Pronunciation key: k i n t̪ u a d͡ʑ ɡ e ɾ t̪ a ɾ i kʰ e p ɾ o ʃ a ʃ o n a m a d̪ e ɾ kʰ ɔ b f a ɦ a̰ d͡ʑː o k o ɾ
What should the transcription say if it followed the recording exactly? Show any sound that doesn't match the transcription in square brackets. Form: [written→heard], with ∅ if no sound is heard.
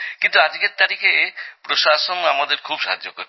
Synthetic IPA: k i n t̪ u a d͡ʑ ɡ e ɾ t̪ a ɾ i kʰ e p ɾ o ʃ a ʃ o n a m a d̪ e ɾ kʰ [ɔ→u] b [f→ʃ] a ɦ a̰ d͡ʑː o k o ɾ